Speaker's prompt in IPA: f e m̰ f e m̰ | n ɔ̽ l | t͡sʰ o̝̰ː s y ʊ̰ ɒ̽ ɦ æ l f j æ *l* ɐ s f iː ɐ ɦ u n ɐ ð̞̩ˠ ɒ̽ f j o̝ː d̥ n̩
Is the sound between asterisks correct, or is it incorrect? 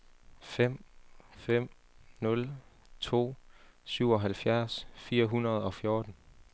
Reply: incorrect